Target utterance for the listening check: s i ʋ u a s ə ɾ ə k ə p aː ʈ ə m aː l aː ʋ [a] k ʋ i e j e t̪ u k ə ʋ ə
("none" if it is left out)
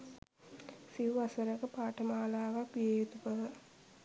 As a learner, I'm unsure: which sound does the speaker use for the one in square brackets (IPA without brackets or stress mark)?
a